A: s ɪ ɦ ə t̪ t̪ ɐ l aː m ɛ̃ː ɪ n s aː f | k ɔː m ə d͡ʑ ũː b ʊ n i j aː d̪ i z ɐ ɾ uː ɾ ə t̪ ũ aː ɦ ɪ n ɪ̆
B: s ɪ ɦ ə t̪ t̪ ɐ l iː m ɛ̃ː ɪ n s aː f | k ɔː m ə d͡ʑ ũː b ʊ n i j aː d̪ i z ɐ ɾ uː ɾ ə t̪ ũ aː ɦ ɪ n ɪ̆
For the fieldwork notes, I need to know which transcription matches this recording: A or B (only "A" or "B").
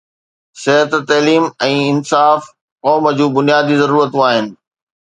B